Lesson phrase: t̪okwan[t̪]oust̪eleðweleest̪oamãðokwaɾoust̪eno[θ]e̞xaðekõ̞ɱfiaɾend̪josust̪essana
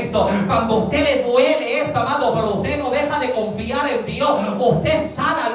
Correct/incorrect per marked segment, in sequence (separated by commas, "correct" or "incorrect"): incorrect, incorrect